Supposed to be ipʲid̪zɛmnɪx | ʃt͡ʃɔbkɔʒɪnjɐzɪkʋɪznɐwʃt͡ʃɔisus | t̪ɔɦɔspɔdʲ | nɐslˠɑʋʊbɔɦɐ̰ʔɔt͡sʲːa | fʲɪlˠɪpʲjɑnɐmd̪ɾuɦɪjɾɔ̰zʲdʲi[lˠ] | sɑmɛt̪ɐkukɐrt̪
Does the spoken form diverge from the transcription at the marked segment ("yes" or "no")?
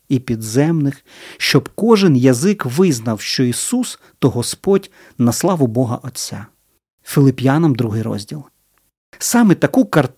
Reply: no